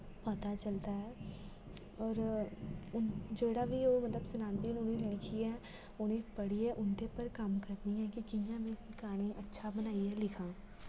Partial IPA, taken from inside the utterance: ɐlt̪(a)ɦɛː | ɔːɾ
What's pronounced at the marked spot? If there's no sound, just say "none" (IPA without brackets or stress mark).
a